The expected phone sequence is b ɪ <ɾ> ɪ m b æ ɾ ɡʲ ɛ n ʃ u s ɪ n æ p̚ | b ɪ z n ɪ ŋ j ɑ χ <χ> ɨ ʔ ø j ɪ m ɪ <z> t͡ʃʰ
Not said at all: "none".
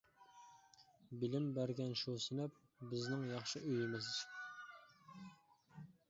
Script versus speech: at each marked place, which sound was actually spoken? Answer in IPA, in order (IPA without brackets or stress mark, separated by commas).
l, ʃ, z